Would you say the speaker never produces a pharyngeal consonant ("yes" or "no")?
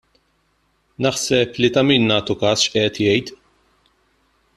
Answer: no